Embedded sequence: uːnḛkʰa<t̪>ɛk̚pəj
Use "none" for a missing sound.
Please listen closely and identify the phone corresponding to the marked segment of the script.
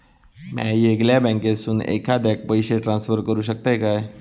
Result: d̪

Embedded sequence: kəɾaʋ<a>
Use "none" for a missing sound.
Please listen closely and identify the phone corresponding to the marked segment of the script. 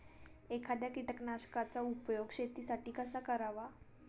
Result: a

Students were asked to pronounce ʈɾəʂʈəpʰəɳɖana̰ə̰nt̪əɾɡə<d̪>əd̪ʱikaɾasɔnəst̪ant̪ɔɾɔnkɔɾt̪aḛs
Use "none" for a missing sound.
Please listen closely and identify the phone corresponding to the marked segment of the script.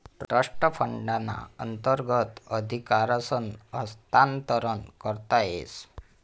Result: t̪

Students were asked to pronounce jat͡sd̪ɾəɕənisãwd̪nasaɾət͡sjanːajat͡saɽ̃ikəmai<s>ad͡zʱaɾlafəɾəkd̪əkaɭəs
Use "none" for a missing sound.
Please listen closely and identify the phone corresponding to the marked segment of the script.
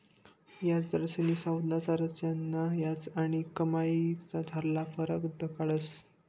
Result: t͡s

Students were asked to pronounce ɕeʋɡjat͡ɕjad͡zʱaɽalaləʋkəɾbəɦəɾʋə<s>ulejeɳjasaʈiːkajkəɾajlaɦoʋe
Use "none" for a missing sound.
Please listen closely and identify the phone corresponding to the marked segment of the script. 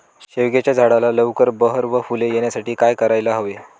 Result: f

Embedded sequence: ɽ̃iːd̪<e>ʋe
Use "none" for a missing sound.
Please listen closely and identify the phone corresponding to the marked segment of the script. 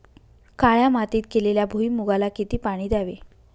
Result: a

